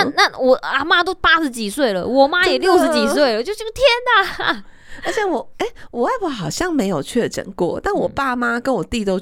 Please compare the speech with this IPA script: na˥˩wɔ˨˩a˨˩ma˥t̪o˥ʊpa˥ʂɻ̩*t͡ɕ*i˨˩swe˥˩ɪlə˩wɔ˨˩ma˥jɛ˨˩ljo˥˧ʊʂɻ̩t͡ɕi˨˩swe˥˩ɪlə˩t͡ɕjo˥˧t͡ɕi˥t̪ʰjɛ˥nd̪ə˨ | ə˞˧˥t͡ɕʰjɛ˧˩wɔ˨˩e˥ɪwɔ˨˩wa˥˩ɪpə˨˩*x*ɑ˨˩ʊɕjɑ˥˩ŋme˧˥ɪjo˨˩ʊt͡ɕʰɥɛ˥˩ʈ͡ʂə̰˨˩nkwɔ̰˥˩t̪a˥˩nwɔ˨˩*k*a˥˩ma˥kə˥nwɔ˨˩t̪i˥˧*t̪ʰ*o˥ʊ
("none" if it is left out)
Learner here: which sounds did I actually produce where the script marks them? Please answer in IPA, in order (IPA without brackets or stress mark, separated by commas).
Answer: t͡ɕ, x, p, t̪